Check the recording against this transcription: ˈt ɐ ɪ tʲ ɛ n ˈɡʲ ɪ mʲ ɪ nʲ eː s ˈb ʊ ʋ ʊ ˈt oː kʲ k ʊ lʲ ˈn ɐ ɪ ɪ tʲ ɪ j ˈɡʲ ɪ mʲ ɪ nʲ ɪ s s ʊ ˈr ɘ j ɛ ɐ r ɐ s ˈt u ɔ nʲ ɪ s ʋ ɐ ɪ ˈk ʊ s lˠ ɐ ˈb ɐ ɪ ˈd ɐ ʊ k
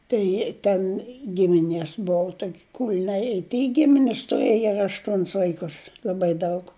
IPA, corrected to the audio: ˈt ɐ ɪ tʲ ɛ n ˈɡʲ ɪ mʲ ɪ nʲ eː s ˈb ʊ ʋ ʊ ˈt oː kʲ k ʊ lʲ ˈn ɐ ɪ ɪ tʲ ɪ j ˈɡʲ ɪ mʲ ɪ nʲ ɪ s t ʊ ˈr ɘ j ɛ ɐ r ɐ ʃ ˈt u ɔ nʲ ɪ s ʋ ɐ ɪ ˈk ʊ s lˠ ɐ ˈb ɐ ɪ ˈd ɐ ʊ k